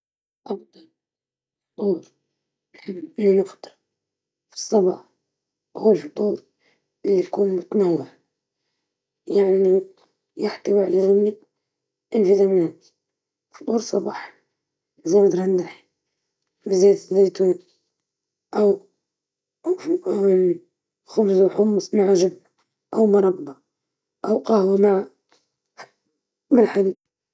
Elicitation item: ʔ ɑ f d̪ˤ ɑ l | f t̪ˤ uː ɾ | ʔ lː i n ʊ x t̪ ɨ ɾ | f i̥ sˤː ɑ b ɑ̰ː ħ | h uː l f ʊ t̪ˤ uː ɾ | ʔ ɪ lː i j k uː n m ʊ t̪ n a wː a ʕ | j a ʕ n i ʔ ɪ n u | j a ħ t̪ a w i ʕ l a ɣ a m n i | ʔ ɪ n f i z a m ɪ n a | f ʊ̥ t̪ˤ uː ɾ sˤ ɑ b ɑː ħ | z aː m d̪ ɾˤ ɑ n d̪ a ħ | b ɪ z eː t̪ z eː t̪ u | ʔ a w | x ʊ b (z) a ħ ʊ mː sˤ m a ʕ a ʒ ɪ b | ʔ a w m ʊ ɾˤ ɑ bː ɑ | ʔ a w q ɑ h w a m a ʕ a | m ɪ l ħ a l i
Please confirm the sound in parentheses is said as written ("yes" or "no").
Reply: yes